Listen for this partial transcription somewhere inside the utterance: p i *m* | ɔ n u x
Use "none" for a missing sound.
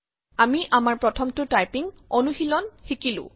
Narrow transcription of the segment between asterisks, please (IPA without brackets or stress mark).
ŋ